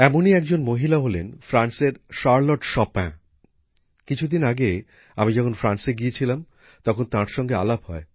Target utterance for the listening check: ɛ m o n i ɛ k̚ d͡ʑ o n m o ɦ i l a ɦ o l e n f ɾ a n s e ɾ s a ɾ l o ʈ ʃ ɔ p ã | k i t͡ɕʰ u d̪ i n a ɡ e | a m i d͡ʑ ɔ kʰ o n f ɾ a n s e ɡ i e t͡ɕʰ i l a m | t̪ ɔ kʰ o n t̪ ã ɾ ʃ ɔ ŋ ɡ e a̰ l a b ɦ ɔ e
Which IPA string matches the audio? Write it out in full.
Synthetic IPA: ɛ m o n i ɛ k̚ d͡ʑ o n m o ɦ i l a ɦ o l e n f ɾ a n s e ɾ ʃ a ɾ l o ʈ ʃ ɔ p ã | k i t͡ɕʰ u d̪ i n a ɡ e | a m i d͡ʑ ɔ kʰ o n f ɾ a n s e ɡ i e t͡ɕʰ i l a m | t̪ ɔ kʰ o n t̪ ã ɾ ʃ ɔ ŋ ɡ e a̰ l a b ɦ ɔ e

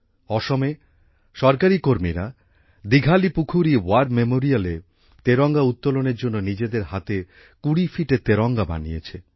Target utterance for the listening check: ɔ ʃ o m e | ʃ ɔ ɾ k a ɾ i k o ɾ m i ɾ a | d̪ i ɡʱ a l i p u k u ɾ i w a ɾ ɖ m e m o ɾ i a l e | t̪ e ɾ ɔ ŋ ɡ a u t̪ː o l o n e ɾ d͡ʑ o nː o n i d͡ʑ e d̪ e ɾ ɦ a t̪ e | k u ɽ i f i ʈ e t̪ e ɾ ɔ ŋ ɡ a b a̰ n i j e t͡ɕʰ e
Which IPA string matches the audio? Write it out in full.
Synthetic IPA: ɔ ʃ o m e | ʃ ɔ ɾ k a ɾ i k o ɾ m i ɾ a | d̪ i ɡʱ a l i p u kʰ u ɾ i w a ɾ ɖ m e m o ɾ i a l e | t̪ e ɾ ɔ ŋ ɡ a u t̪ː o l o n e ɾ d͡ʑ o nː o n i d͡ʑ e d̪ e ɾ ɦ a t̪ e | k u ɽ i f i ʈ e t̪ e ɾ ɔ ŋ ɡ a b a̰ n i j e t͡ɕʰ e

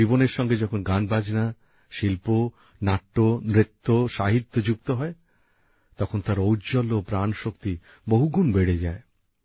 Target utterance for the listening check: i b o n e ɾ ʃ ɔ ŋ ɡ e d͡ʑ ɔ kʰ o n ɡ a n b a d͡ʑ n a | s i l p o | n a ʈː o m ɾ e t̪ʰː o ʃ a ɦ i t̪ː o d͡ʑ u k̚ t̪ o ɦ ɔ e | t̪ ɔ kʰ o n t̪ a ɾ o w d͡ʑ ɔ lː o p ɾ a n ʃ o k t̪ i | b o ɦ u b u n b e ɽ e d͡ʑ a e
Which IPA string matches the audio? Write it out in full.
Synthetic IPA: i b o n e ɾ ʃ ɔ ŋ ɡ e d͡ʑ ɔ kʰ o n ɡ a n b a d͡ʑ n a | ʃ i l p o | n a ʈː o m ɾ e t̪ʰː o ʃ a ɦ i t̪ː o d͡ʑ u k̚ t̪ o ɦ ɔ e | t̪ ɔ kʰ o n t̪ a ɾ o w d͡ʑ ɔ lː o p ɾ a n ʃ o k t̪ i | b o ɦ u ɡ u n b e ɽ e d͡ʑ a e

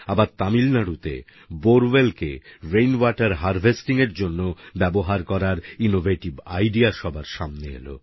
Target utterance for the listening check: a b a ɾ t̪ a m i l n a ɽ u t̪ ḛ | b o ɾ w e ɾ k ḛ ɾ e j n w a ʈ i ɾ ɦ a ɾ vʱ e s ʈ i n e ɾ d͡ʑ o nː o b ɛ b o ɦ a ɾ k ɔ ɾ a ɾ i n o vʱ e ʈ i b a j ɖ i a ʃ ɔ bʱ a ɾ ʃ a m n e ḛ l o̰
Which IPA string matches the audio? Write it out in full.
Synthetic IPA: a b a ɾ t̪ a m i l n a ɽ u t̪ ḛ | b o ɾ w e l k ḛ ɾ e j n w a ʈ a ɾ ɦ a ɾ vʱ e s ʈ i ŋ e ɾ d͡ʑ o nː o b ɛ b o ɦ a ɾ k ɔ ɾ a ɾ i n o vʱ e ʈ i b a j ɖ i a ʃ ɔ bʱ a ɾ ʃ a m n e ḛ l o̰

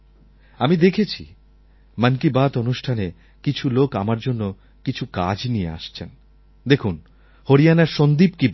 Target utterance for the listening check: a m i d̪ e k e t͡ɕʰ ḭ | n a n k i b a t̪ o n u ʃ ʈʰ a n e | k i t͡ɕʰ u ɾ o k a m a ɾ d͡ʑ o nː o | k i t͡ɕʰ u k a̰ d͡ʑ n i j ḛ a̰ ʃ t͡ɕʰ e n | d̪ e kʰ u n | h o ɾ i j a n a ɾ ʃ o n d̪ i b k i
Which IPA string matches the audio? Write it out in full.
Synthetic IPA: a m i d̪ e kʰ e t͡ɕʰ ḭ | m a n k i b a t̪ o n u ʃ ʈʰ a n e | k i t͡ɕʰ u l o k a m a ɾ d͡ʑ o nː o | k i t͡ɕʰ u k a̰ d͡ʑ n i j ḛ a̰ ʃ t͡ɕʰ e n | d̪ e kʰ u n | h o ɾ i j a n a ɾ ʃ o n d̪ i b k i

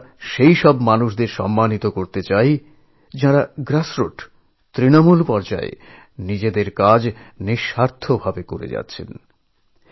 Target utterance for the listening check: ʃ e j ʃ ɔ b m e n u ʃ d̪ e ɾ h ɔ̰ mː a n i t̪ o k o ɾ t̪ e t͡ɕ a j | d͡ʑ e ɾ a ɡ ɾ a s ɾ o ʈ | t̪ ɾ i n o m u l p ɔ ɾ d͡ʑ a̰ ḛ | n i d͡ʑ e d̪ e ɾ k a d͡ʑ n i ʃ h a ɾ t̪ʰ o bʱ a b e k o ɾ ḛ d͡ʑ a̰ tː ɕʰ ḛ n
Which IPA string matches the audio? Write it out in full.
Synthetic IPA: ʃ e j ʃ ɔ b m a n u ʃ d̪ e ɾ ʃ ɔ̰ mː a n i t̪ o k o ɾ t̪ e t͡ɕ a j | d͡ʑ a ɾ a ɡ ɾ a s ɾ o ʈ | t̪ ɾ i n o m u l p ɔ ɾ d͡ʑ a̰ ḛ | n i d͡ʑ e d̪ e ɾ k a d͡ʑ n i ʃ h a ɾ t̪ʰ o bʱ a b e k o ɾ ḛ d͡ʑ a̰ tː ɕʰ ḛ n

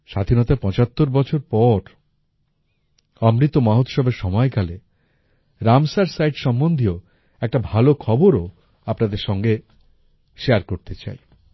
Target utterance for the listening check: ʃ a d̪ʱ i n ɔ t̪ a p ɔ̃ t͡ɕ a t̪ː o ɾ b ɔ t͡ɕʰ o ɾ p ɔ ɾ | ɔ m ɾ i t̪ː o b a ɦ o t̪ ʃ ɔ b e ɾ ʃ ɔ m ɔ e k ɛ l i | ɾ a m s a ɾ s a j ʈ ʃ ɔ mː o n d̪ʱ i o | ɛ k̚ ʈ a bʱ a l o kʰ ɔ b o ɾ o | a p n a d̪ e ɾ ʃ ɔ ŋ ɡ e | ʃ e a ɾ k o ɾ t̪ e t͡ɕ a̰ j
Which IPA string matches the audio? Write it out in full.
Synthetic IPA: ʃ a d̪ʱ i n ɔ t̪ a p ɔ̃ t͡ɕ a t̪ː o ɾ b ɔ t͡ɕʰ o ɾ p ɔ ɾ | ɔ m ɾ i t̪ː o m a ɦ o t̪ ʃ ɔ b e ɾ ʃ ɔ m ɔ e k a l e | ɾ a m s a ɾ s a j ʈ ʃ ɔ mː o n d̪ʱ i o | ɛ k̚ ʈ a bʱ a l o kʰ ɔ b o ɾ o | a p n a d̪ e ɾ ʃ ɔ ŋ ɡ e | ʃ e a ɾ k o ɾ t̪ e t͡ɕ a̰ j

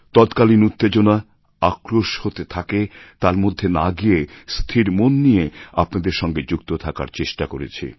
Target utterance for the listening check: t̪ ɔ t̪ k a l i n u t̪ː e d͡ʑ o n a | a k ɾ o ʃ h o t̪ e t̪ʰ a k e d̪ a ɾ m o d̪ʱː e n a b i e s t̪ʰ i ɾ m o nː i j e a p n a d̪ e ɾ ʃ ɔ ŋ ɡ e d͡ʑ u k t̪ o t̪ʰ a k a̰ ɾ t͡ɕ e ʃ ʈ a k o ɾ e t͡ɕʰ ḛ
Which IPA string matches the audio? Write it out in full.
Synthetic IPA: t̪ ɔ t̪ k a l i n u t̪ː e d͡ʑ o n a | a k ɾ o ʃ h o t̪ e t̪ʰ a k e t̪ a ɾ m o d̪ʱː e n a ɡ i e s t̪ʰ i ɾ m o nː i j e a p n a d̪ e ɾ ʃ ɔ ŋ ɡ e d͡ʑ u k t̪ o t̪ʰ a k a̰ ɾ t͡ɕ e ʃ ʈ a k o ɾ e t͡ɕʰ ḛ

